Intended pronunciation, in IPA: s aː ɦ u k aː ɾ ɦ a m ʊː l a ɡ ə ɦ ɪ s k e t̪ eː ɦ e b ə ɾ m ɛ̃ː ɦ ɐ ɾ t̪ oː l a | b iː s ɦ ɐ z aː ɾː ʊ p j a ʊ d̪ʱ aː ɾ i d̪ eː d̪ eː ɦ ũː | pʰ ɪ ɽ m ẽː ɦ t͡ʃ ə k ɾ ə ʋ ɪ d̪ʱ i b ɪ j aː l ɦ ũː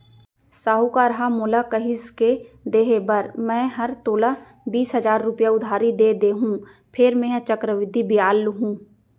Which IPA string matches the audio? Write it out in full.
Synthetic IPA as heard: s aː ɦ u k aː ɾ ɦ a m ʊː l a k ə ɦ ɪ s k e d̪ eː ɦ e b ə ɾ m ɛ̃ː ɦ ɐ ɾ t̪ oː l a | b iː s ɦ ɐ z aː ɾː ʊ p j a ʊ d̪ʱ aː ɾ i d̪ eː d̪ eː ɦ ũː | pʰ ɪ ɾ m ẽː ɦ t͡ʃ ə k ɾ ə ʋ ɪ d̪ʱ i b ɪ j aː l ɦ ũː